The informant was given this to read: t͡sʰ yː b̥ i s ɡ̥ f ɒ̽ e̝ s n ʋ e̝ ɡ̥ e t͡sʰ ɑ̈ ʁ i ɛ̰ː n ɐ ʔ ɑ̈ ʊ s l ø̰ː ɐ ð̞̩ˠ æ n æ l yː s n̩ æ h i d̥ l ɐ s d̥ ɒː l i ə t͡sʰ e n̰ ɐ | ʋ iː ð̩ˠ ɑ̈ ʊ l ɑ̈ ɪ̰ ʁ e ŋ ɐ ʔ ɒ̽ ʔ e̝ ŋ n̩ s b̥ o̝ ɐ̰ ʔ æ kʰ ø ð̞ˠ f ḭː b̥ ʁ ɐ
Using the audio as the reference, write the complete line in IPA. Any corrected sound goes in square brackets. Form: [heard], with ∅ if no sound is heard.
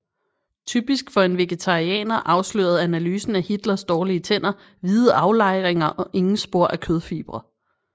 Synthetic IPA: t͡sʰ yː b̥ i s ɡ̥ f ɒ̽ e̝ [∅] n ʋ e̝ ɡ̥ e t͡sʰ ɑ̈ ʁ i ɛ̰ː n ɐ ʔ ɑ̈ ʊ s l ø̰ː ɐ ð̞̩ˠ æ n æ l yː s n̩ æ h i d̥ l ɐ s d̥ ɒː l i ə t͡sʰ e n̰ ɐ | ʋ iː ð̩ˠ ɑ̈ ʊ l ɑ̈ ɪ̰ ʁ e ŋ ɐ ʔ ɒ̽ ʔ e̝ ŋ n̩ s b̥ o̝ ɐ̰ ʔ æ kʰ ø ð̞ˠ f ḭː b̥ ʁ ɐ